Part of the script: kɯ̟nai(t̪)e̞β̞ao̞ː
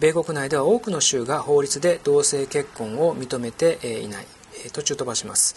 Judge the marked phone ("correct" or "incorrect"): incorrect